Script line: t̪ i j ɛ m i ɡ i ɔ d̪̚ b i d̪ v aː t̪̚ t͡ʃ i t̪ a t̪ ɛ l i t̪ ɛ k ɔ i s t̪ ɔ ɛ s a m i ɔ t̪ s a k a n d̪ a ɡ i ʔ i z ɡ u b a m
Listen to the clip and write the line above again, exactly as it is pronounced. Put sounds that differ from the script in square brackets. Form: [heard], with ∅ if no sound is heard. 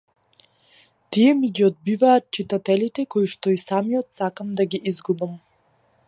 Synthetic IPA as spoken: t̪ i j ɛ m i ɡ i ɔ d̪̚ b i [∅] v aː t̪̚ t͡ʃ i t̪ a t̪ ɛ l i t̪ ɛ k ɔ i [ʃ] t̪ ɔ [i] s a m i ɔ t̪ s a k a [m] d̪ a ɡ i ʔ i z ɡ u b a m